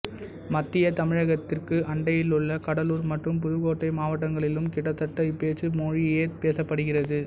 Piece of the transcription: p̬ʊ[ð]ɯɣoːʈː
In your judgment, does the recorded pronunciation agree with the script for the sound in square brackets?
yes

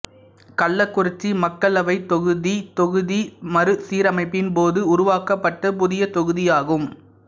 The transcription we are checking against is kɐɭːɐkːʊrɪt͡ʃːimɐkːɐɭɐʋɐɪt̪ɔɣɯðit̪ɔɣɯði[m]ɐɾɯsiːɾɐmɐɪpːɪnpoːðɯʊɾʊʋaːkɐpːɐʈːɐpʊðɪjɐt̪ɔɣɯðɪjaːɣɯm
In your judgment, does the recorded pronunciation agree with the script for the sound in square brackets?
yes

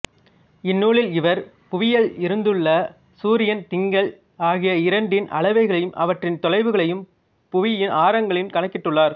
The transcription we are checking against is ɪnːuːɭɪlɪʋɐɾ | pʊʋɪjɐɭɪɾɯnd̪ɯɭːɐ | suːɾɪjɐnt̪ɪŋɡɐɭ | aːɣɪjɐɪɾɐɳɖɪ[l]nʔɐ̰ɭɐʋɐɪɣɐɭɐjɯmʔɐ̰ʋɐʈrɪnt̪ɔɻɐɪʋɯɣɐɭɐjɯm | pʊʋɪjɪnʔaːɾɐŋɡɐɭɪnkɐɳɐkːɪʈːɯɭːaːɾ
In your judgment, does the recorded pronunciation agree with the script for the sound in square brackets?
no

